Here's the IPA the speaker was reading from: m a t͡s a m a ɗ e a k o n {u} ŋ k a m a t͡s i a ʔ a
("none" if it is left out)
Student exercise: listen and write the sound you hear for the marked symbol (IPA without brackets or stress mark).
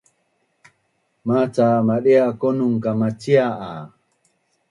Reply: u